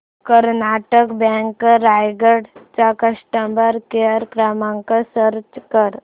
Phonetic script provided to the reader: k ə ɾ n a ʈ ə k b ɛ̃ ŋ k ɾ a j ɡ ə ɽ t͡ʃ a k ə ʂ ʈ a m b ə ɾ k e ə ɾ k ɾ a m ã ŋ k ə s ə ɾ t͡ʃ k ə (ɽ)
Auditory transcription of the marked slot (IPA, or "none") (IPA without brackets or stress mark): ɾ